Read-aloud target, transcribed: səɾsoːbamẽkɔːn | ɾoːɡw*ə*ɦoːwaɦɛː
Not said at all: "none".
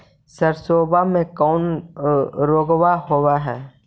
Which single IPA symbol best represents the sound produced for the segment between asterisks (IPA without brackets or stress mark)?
a